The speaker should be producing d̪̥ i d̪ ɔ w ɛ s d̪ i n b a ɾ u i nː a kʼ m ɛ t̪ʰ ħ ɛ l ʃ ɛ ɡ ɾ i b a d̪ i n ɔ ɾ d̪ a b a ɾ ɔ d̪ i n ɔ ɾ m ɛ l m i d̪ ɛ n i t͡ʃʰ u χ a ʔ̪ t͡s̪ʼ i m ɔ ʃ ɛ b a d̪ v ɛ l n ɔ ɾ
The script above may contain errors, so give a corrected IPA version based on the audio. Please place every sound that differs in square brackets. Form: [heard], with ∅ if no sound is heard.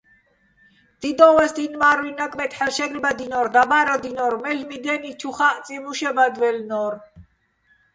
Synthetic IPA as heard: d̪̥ i d̪ ɔ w ɛ s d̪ i n [m] a ɾ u i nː a kʼ m ɛ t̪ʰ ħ ɛ l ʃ ɛ ɡ ɾ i b a d̪ i n ɔ ɾ d̪ a b a ɾ ɔ d̪ i n ɔ ɾ m ɛ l m i d̪ ɛ n i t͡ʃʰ u χ a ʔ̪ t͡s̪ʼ i m [u] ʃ ɛ b a d̪ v ɛ l n ɔ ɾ